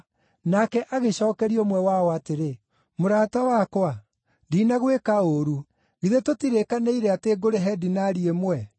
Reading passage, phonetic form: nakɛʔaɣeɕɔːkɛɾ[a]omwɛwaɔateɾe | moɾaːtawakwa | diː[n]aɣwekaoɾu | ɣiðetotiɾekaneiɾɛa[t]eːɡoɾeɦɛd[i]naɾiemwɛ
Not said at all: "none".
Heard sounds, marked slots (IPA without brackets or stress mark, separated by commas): i, n, t, i